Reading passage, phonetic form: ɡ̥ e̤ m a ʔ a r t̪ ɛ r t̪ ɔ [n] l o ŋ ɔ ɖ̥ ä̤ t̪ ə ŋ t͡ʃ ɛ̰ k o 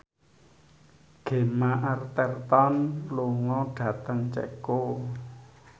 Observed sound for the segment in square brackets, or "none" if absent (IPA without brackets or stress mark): n